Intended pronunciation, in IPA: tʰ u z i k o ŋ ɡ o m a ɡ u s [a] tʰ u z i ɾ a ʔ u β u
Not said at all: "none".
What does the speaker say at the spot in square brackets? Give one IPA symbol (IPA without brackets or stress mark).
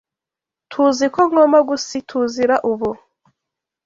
i